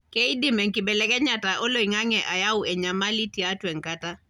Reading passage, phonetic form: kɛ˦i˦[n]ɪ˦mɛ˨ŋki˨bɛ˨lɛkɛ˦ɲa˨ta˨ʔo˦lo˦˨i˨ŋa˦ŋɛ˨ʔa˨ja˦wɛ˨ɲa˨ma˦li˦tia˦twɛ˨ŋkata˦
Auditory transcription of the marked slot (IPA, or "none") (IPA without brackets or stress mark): d